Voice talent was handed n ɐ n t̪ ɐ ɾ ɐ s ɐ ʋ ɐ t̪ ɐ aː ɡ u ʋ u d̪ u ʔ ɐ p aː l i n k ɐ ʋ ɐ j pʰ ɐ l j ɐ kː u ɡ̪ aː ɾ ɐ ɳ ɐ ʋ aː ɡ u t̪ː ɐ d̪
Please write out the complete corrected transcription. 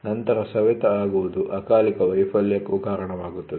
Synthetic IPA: n ɐ n t̪ ɐ ɾ ɐ s ɐ ʋ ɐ t̪ ɐ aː ɡ u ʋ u d̪ u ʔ ɐ k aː l i k ɐ ʋ ɐ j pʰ ɐ l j ɐ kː u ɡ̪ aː ɾ ɐ ɳ ɐ ʋ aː ɡ u t̪ː ɐ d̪

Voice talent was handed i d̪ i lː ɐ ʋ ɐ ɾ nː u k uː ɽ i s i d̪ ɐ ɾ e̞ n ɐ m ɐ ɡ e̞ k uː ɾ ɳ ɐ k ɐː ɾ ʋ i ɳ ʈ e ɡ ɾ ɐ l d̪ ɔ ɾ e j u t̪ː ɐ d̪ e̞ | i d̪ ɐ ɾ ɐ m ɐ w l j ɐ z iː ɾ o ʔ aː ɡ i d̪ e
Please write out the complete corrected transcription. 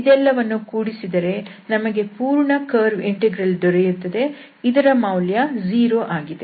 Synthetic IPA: i d̪ ɛ lː ɐ ʋ ɐ nː u k uː ɽ i s i d̪ ɐ ɾ e̞ n ɐ m ɐ ɡ e̞ p uː ɾ ɳ ɐ k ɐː ɾ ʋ i ɳ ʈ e ɡ ɾ ɐ l d̪ ɔ ɾ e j u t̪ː ɐ d̪ e̞ | i d̪ ɐ ɾ ɐ m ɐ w l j ɐ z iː ɾ o ʔ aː ɡ i d̪ e

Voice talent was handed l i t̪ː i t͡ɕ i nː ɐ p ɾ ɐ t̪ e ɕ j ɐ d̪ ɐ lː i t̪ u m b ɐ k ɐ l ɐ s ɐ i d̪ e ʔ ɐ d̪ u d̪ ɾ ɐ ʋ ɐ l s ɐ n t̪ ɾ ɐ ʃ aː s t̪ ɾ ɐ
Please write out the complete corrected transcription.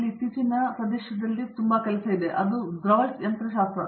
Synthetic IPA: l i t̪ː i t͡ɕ i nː ɐ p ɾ ɐ d̪ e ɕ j ɐ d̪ ɐ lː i t̪ u m b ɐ k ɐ l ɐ s ɐ i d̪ e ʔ ɐ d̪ u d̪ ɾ ɐ ʋ ɐ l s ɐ n t̪ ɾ ɐ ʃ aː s t̪ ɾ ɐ

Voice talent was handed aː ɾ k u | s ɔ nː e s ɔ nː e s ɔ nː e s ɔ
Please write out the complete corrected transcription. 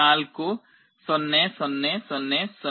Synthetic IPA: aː l k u | s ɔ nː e s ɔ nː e s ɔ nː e s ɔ

